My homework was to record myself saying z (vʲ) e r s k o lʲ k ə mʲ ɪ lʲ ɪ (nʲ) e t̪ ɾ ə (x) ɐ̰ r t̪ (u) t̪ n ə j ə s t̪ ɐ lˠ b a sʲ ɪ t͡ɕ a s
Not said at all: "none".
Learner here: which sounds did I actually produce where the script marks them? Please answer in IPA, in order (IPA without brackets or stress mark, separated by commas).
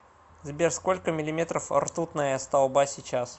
bʲ, mʲ, f, u